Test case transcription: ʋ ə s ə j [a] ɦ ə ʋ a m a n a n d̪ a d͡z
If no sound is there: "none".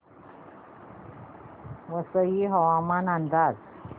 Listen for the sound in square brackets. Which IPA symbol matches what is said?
i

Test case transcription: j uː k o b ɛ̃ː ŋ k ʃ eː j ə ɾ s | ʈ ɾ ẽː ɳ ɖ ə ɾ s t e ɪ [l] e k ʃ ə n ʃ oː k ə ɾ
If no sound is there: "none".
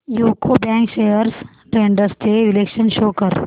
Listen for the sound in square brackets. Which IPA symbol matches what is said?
l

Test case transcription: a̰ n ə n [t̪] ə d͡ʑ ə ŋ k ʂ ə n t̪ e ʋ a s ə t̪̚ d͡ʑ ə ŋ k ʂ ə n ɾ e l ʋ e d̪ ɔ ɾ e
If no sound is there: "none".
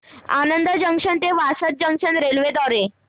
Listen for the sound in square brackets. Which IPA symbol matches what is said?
d̪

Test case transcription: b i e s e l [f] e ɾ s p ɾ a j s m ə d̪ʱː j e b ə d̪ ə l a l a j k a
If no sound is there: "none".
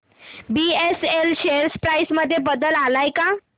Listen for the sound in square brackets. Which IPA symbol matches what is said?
ɕ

